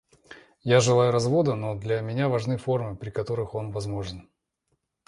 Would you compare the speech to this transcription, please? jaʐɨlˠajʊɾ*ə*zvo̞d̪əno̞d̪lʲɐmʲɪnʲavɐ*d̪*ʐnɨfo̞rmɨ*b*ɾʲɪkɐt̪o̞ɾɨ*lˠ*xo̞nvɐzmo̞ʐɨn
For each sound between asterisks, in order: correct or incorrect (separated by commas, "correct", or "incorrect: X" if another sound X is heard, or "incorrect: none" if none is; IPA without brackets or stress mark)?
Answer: incorrect: ɐ, incorrect: none, incorrect: p, incorrect: none